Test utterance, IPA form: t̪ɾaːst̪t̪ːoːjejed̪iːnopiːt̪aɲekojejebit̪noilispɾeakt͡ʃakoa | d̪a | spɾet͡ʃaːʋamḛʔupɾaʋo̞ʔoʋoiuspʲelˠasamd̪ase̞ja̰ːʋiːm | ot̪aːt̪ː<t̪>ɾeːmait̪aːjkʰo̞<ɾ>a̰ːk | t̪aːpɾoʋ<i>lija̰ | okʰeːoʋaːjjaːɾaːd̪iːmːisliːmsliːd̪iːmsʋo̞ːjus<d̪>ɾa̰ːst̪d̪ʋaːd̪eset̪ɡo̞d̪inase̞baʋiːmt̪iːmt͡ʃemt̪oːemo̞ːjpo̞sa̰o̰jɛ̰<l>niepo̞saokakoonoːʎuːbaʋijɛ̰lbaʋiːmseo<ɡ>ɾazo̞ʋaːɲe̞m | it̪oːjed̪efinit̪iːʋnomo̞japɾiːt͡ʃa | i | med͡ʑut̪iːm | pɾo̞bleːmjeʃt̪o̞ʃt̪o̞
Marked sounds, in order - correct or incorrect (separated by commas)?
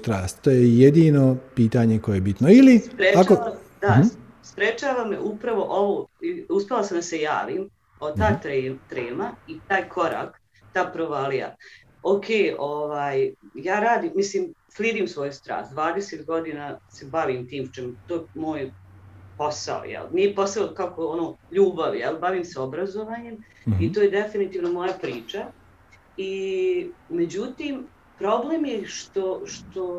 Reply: correct, correct, incorrect, incorrect, correct, incorrect